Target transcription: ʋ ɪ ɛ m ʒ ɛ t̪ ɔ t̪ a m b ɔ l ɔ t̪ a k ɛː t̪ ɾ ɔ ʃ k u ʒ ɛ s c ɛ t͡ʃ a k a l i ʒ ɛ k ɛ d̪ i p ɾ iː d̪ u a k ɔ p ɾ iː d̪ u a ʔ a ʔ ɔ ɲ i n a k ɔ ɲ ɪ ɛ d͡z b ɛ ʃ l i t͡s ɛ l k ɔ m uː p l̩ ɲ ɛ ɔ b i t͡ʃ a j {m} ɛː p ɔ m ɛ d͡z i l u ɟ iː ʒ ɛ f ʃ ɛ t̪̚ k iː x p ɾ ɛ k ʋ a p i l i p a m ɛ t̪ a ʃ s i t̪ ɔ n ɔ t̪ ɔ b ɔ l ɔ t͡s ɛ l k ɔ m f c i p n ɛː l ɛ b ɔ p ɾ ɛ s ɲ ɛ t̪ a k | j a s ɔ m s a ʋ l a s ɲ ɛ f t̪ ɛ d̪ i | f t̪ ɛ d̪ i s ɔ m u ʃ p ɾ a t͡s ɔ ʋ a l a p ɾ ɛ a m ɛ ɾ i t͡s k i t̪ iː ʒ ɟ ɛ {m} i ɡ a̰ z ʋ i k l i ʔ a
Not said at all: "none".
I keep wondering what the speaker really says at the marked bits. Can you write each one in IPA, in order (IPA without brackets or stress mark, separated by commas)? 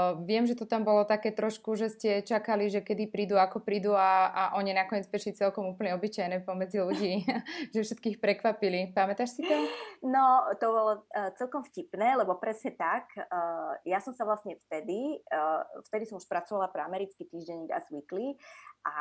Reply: n, ɲ